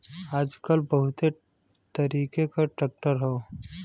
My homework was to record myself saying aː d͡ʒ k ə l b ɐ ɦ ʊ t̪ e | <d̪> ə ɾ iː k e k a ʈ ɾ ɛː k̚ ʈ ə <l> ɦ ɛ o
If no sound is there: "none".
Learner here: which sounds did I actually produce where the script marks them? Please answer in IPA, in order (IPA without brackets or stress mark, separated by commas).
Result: t̪, ɾ